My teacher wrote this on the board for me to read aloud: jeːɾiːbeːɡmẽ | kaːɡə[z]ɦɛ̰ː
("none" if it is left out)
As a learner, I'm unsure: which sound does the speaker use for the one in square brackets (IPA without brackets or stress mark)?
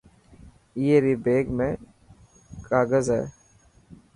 z